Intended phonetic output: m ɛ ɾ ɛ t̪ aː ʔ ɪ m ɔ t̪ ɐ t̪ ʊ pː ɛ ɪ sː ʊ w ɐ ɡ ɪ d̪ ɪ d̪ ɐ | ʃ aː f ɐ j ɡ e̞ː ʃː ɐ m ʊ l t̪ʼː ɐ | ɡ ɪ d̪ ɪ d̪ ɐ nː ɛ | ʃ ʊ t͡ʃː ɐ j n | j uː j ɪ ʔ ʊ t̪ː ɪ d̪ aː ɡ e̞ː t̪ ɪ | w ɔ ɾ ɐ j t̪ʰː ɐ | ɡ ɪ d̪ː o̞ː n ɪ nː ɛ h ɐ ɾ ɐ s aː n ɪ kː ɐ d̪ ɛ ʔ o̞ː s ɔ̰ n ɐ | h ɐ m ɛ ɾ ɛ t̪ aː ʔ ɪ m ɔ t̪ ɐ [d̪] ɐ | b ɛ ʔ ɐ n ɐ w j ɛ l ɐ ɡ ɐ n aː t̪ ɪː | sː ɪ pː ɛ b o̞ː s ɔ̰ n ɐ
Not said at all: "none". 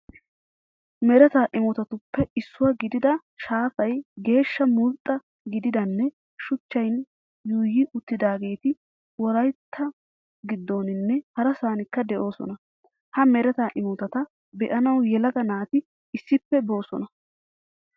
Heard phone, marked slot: t̪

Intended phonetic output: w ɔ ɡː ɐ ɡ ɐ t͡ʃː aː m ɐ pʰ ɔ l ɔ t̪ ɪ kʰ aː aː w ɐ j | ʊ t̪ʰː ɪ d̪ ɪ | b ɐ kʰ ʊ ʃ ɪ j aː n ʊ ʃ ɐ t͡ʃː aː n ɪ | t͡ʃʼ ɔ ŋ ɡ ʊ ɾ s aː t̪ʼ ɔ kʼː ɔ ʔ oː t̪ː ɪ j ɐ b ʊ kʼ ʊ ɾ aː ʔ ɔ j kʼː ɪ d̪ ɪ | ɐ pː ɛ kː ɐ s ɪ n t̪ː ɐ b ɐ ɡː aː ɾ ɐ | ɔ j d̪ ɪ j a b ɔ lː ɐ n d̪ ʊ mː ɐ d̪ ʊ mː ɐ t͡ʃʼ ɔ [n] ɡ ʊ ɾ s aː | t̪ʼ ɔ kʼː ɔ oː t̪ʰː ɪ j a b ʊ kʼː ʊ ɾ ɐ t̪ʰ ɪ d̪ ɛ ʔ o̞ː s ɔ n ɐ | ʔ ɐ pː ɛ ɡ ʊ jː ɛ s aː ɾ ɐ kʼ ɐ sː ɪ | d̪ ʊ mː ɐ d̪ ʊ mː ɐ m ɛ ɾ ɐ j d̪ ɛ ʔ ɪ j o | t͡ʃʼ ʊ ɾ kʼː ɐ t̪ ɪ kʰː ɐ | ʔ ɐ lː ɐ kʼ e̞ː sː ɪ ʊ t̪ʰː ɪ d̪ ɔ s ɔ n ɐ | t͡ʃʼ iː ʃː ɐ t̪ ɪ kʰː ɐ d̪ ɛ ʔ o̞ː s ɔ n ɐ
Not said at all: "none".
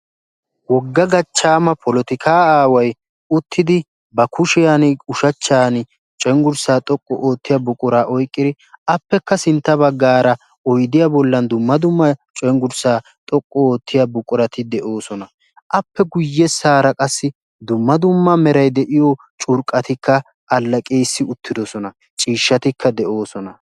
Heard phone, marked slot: ŋ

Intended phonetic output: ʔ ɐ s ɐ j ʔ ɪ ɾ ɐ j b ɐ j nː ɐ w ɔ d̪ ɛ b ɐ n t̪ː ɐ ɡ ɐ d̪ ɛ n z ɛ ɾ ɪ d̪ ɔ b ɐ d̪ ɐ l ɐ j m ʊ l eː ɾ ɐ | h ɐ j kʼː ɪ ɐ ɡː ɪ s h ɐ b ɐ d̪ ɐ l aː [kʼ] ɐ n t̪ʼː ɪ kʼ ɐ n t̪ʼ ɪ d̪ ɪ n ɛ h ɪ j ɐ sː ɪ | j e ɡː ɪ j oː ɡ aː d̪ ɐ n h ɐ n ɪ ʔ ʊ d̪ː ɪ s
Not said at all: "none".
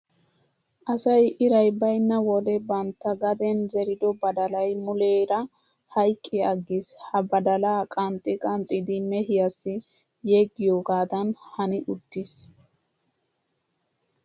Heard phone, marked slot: kʼ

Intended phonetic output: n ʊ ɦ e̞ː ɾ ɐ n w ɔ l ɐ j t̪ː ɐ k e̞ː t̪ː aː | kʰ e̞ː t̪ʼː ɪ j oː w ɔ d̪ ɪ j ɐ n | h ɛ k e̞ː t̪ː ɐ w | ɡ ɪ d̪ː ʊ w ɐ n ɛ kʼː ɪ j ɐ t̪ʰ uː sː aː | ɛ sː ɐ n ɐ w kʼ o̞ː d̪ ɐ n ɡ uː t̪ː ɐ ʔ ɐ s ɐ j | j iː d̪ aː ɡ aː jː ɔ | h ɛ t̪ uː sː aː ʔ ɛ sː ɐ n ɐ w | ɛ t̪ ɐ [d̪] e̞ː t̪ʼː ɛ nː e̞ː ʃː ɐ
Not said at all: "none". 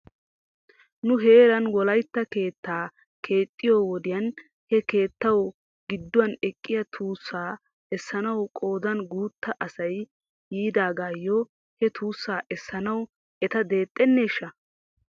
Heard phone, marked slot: d̪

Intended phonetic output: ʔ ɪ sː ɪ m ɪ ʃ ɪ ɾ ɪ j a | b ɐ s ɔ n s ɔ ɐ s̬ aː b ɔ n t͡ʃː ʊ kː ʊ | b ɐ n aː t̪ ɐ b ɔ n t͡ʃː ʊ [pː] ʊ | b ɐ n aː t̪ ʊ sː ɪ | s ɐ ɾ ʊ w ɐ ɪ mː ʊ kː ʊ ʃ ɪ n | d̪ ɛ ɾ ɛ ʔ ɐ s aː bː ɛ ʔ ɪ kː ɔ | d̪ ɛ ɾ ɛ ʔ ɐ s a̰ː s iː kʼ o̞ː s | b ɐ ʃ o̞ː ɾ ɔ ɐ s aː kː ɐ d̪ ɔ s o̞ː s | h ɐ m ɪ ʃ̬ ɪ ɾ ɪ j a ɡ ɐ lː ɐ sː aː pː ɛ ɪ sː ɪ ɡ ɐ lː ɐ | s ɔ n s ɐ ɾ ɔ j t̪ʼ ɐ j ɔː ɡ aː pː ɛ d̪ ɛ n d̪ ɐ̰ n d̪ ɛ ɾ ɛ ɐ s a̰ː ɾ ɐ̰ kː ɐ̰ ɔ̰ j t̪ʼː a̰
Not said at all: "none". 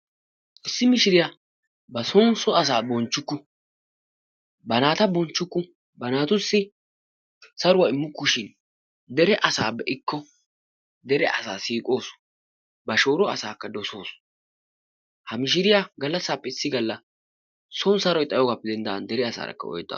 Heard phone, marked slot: kː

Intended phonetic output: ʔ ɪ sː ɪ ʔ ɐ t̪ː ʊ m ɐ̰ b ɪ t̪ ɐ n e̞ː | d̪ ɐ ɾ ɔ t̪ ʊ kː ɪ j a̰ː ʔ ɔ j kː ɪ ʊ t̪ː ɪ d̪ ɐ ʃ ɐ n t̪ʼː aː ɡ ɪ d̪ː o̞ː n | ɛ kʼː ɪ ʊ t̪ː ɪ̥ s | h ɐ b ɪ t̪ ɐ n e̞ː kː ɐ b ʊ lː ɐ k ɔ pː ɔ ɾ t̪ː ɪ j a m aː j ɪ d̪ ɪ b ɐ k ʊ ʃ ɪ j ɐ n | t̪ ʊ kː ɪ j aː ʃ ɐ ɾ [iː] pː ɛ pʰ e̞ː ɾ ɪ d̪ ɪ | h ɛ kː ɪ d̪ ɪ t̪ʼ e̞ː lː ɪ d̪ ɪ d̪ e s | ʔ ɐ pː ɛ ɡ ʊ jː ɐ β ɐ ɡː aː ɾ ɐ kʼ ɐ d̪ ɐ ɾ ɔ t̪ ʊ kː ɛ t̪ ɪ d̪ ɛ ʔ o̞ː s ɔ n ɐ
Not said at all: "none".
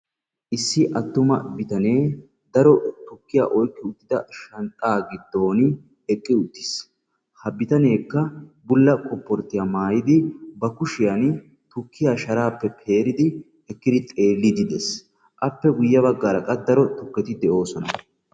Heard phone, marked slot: aː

